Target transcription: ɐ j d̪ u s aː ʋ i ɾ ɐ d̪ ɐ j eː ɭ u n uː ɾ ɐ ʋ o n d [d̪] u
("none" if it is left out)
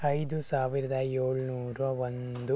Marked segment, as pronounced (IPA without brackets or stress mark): d̪